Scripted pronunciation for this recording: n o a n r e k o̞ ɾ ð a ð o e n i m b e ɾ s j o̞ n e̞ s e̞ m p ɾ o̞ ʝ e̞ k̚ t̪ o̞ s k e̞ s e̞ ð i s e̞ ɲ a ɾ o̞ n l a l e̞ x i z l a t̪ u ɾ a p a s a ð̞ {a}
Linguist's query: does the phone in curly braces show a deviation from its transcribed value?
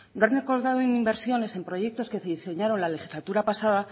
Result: no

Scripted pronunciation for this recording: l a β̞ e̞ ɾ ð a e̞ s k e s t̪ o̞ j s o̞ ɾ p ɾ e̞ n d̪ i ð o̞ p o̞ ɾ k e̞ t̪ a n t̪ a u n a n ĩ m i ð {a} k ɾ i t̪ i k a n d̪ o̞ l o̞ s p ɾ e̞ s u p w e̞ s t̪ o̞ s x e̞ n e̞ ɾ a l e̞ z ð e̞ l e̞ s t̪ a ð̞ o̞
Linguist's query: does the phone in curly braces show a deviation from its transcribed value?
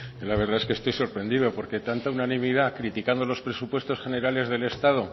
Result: no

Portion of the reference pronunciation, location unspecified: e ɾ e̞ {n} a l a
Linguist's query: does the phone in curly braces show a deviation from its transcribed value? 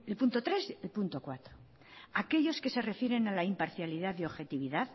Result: no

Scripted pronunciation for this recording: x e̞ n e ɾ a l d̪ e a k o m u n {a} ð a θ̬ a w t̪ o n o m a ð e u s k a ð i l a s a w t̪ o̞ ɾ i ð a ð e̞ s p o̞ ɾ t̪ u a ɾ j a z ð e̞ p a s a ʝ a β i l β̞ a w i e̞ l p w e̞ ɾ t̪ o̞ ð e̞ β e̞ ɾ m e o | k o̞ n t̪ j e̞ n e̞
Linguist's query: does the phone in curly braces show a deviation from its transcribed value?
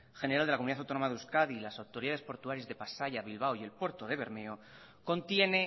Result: yes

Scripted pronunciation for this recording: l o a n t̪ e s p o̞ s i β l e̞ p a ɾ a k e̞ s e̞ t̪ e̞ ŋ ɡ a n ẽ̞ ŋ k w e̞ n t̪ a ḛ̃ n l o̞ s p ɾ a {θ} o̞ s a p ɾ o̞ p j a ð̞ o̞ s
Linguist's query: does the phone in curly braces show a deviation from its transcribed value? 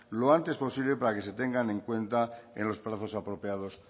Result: no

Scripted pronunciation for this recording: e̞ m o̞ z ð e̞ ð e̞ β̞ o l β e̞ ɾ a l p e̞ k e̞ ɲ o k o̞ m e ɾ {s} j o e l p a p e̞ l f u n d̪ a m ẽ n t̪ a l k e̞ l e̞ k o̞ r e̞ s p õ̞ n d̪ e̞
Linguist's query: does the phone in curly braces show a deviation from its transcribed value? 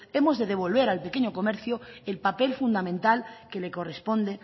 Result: yes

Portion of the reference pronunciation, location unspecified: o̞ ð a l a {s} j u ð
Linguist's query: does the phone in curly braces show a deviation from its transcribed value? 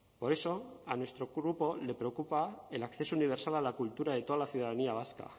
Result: yes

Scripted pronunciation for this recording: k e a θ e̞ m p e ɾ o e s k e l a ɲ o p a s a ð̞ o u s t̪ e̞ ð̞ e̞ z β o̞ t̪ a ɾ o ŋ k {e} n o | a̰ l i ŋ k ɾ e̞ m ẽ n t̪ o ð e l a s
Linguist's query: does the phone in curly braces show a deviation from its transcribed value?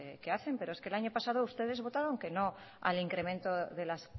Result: no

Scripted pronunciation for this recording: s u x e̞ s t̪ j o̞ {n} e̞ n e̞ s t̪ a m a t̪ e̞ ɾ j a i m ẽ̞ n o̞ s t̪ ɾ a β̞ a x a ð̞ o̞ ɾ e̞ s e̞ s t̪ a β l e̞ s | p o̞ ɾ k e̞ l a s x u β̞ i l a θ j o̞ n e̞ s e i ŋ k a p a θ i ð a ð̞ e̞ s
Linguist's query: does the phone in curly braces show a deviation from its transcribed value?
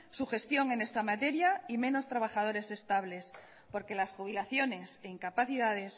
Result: yes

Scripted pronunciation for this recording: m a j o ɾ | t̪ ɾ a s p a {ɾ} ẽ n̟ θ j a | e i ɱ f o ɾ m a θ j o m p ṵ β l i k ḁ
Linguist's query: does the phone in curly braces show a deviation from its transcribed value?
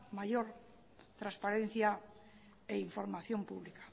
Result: no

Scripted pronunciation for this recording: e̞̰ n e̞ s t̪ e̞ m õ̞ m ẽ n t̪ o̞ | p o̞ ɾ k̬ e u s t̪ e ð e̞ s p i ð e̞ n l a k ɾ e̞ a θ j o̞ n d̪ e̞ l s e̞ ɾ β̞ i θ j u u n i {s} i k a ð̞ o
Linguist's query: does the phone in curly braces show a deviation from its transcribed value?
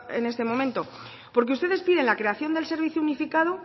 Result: yes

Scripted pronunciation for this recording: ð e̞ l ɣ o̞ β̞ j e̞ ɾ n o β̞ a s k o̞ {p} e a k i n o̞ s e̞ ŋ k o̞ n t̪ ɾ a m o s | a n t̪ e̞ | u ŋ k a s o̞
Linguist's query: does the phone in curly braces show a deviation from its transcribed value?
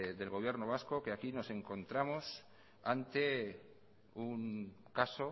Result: yes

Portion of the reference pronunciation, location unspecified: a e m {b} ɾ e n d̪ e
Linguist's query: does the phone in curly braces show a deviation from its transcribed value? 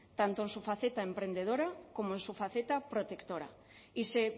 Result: yes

